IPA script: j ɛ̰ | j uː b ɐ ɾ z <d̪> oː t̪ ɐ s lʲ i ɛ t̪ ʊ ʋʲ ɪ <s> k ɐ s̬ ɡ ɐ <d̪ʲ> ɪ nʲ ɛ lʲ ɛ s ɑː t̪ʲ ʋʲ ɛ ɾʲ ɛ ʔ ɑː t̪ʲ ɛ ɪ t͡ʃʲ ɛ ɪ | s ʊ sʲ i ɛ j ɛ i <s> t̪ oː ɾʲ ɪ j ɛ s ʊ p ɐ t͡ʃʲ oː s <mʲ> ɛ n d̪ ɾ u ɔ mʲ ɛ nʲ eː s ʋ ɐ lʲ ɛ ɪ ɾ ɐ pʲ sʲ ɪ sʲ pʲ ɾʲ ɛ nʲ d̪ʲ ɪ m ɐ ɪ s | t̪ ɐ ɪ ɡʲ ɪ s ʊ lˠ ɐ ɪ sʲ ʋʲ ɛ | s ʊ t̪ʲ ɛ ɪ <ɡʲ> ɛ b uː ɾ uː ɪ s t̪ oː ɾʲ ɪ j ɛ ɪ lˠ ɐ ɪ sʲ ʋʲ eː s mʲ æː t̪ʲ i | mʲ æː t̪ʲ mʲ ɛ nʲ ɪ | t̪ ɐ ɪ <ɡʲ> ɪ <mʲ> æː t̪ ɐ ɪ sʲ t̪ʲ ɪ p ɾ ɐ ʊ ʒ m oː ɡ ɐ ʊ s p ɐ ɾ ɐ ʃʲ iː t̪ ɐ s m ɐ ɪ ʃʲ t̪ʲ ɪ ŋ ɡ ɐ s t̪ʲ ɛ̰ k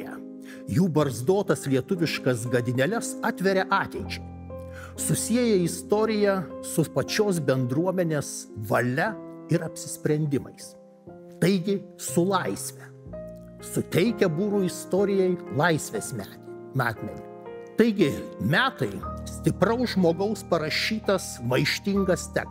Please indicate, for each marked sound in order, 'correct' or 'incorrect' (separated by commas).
correct, incorrect, correct, correct, incorrect, incorrect, correct, correct